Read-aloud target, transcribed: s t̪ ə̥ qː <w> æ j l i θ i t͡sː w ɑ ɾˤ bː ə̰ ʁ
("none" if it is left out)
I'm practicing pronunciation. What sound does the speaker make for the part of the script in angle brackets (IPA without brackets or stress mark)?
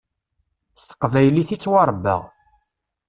v